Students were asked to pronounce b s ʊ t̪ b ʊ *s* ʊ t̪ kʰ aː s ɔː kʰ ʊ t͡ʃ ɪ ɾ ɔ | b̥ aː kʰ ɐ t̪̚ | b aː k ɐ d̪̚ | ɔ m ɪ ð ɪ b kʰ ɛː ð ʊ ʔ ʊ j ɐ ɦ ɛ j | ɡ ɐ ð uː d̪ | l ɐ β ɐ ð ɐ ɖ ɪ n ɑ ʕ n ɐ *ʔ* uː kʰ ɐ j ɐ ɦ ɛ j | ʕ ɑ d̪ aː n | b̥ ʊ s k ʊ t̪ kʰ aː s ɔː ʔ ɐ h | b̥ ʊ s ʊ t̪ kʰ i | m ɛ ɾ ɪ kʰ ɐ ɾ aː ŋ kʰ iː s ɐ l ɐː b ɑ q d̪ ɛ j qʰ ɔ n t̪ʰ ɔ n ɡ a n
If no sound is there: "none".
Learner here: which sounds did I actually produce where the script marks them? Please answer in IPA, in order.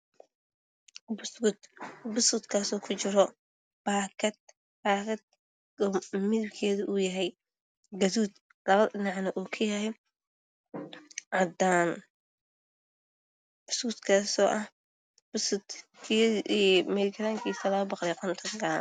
s, ʔ

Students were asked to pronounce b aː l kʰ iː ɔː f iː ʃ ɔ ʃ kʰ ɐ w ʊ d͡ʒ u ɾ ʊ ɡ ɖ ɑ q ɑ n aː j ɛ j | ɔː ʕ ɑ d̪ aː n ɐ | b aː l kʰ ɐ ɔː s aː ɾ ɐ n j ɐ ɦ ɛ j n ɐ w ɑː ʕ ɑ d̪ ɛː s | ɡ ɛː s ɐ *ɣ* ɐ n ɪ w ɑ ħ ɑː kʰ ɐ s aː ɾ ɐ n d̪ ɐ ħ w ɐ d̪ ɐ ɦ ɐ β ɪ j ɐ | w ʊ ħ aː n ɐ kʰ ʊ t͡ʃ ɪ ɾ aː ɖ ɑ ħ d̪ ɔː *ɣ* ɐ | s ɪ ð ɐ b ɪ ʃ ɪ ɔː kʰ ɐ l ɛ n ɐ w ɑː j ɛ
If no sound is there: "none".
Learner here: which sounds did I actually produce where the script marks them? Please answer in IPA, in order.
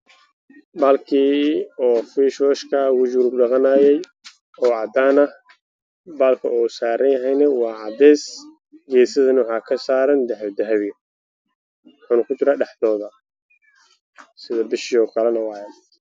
ð, ð

